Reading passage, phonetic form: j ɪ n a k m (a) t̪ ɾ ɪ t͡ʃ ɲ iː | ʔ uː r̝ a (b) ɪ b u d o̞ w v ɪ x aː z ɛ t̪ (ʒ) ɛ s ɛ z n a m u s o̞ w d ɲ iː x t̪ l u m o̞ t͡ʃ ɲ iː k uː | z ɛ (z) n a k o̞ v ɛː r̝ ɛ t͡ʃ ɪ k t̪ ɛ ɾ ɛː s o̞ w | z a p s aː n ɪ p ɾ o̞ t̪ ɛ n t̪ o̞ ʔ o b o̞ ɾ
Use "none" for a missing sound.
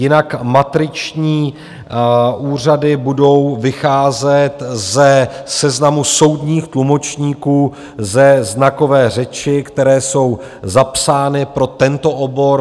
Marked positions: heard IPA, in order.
a, d, z, z

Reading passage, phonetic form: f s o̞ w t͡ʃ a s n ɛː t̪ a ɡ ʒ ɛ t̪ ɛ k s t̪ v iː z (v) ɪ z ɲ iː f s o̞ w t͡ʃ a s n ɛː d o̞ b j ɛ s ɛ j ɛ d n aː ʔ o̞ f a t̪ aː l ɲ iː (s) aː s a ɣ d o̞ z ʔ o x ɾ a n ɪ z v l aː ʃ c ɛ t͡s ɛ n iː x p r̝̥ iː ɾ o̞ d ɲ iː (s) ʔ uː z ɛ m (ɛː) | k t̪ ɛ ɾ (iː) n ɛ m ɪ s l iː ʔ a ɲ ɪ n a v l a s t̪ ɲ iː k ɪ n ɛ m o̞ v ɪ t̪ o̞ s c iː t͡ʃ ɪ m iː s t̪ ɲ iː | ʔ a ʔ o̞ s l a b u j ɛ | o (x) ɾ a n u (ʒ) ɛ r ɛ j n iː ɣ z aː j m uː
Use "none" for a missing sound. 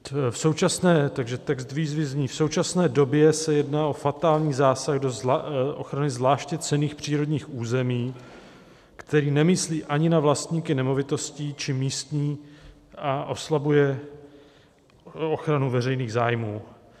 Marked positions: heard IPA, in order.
v, z, x, iː, iː, x, v

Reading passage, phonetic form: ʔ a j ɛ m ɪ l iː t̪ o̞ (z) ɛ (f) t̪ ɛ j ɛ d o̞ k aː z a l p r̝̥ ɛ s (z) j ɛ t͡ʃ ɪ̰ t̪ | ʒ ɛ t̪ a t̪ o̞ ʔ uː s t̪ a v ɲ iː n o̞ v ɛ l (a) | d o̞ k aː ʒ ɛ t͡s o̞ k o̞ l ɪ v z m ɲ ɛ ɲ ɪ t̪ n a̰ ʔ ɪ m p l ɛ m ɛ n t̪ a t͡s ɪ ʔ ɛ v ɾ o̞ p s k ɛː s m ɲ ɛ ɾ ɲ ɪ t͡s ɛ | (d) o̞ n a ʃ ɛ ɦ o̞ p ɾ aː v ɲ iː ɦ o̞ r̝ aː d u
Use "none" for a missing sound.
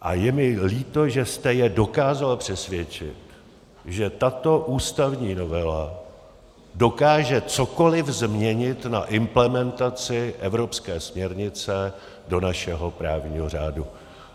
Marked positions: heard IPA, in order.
ʒ, s, v, a, d

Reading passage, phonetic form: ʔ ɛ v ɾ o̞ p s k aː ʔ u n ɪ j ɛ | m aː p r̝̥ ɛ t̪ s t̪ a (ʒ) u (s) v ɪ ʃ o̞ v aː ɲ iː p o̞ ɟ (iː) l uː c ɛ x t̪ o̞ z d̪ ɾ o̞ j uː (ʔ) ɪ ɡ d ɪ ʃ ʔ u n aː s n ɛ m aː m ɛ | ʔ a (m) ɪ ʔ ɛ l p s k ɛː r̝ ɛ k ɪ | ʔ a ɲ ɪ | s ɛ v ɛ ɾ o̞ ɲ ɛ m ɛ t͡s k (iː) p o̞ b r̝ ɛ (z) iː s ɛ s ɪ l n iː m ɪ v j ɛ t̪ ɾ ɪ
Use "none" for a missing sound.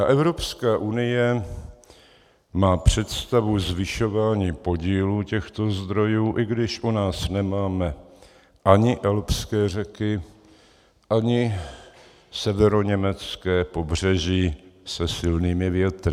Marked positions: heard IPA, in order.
v, z, iː, ʔ, ɲ, ɛː, ʒ

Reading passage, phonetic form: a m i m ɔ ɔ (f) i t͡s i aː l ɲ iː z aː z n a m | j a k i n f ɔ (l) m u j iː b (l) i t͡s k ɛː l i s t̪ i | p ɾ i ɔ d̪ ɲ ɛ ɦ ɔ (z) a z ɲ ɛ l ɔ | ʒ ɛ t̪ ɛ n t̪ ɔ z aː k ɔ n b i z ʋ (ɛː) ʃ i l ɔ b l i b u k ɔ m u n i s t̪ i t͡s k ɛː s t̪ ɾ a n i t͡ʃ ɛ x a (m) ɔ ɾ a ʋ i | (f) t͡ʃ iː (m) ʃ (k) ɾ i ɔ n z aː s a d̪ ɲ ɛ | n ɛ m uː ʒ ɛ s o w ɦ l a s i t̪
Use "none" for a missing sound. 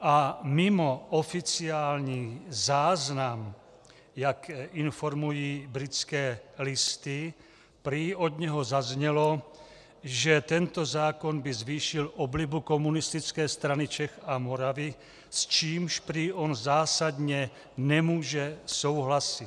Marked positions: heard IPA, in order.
f, ɾ, ɾ, z, iː, m, s, m, p

